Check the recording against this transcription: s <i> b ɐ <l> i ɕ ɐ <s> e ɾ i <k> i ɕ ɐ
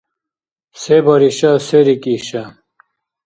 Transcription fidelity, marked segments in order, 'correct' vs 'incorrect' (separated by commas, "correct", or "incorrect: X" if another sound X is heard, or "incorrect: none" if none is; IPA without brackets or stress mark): incorrect: e, incorrect: ɾ, correct, correct